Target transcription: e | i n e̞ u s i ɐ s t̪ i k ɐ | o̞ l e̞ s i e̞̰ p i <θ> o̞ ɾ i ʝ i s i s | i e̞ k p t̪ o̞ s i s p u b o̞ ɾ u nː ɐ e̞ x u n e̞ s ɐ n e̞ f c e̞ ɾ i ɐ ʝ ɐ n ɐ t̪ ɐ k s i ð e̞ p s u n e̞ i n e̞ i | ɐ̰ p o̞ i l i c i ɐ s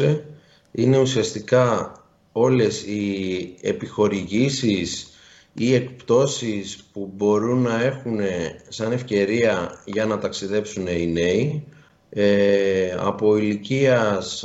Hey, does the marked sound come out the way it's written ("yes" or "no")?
no